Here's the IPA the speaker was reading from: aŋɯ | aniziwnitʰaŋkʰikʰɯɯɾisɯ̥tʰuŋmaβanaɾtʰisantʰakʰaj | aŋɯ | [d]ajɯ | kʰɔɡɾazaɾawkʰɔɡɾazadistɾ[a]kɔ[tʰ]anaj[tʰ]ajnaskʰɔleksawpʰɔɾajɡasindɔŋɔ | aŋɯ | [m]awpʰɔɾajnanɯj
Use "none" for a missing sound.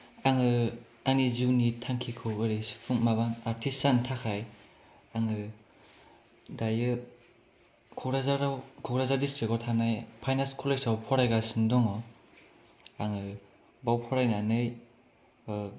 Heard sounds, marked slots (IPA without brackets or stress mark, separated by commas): d, i, tʰ, pʰ, b